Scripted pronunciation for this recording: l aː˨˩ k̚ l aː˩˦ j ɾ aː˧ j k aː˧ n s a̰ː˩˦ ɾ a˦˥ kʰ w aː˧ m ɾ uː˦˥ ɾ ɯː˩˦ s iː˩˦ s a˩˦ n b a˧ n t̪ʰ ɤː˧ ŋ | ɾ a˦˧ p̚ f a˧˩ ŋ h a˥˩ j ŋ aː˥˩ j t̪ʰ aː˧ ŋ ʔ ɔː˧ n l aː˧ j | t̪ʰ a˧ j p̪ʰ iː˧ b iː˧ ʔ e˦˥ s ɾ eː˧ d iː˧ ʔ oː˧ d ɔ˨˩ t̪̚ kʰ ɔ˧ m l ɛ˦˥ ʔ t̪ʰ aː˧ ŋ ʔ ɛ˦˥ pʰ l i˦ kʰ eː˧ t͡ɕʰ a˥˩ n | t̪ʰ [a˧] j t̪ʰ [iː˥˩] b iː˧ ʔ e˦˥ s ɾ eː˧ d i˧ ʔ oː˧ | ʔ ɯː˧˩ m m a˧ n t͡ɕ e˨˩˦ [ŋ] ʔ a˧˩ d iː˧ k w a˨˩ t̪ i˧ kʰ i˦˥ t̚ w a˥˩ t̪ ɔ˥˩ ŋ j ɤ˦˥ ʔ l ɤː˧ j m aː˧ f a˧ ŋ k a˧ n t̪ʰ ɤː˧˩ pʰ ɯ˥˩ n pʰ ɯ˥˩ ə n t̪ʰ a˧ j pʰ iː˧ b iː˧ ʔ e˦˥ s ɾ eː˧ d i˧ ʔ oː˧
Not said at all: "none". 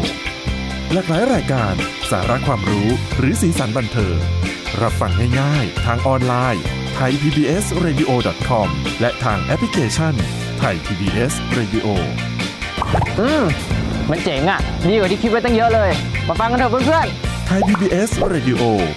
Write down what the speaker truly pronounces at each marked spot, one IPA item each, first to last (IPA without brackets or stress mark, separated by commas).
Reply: a˧, iː˧, ŋ